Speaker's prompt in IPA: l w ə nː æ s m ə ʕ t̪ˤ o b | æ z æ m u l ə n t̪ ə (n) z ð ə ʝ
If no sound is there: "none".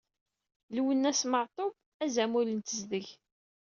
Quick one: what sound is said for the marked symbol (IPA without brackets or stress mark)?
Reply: none